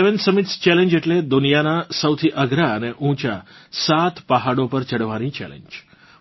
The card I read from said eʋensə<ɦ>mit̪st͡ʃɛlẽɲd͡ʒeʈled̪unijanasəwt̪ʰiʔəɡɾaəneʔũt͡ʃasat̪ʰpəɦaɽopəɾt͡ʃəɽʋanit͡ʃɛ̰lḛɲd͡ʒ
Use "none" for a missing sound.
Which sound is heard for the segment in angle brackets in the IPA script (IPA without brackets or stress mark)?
none